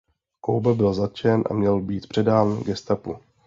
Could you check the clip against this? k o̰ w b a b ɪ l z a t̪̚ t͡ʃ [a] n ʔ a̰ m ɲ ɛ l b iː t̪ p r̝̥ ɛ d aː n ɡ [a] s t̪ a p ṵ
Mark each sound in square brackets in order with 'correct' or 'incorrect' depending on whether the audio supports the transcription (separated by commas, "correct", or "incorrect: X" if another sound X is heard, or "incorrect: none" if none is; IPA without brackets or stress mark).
incorrect: ɛ, incorrect: ɛ